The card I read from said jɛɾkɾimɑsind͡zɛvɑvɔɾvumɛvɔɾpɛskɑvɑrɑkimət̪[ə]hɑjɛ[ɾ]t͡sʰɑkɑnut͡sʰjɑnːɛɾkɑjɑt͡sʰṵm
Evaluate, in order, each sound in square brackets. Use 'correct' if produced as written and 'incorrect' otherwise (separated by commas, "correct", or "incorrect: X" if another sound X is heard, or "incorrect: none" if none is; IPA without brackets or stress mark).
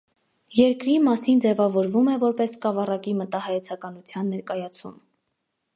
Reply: incorrect: ɑ, incorrect: none